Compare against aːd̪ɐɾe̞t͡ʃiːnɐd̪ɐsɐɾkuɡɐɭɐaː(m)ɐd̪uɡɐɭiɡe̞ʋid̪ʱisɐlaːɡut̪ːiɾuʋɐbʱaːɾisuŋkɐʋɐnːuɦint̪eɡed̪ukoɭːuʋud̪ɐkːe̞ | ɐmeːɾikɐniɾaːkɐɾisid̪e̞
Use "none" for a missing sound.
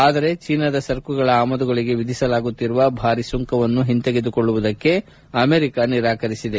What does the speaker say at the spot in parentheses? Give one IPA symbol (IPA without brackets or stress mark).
m